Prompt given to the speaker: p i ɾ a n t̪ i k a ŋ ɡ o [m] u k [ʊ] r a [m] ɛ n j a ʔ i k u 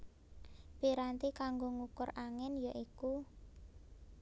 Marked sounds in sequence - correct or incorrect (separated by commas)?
incorrect, correct, incorrect